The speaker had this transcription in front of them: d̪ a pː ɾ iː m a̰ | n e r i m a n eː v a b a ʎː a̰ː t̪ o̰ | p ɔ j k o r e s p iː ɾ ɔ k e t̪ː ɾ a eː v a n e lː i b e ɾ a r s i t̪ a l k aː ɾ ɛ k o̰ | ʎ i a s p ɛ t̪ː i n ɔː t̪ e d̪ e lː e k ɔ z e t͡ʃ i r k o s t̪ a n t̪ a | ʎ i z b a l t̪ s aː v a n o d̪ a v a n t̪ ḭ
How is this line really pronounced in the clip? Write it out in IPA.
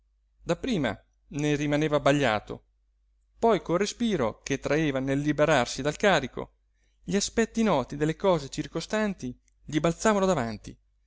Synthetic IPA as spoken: d̪ a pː ɾ iː m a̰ | n e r i m a n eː v a b a ʎː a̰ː t̪ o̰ | p ɔ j k o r e s p iː ɾ o k e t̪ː ɾ a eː v a n e lː i b e ɾ a r s i d̪ a l k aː ɾ i k o̰ | ʎ i a s p ɛ t̪ː i n ɔː t̪ i d̪ e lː e k ɔː z e t͡ʃ i r k o s t̪ a n t̪ i | ʎ i b a l t̪ s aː v a n o d̪ a v a n t̪ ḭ